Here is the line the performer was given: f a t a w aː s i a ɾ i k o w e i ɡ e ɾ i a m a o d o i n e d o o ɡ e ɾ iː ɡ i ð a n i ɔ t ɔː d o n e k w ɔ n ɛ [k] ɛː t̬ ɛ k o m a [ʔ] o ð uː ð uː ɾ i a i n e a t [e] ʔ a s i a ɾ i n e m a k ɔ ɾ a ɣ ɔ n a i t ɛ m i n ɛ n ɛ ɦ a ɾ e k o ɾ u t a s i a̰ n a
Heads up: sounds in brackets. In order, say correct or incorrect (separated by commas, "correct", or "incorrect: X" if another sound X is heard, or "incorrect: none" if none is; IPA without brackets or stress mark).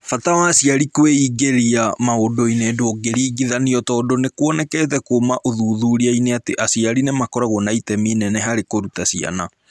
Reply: correct, correct, correct